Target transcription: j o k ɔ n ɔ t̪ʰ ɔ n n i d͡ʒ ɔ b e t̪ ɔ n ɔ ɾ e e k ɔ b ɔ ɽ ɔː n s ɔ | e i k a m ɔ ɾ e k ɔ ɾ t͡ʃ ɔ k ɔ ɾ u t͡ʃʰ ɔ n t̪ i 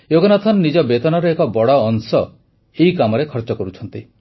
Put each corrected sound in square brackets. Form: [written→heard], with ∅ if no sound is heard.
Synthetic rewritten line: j o [k→ɡ] ɔ n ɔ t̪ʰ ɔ n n i d͡ʒ ɔ b e t̪ ɔ n ɔ ɾ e e k ɔ b ɔ ɽ ɔː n s ɔ | e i k a m ɔ ɾ e [k→kʰ] ɔ ɾ t͡ʃ ɔ k ɔ ɾ u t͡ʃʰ ɔ n t̪ i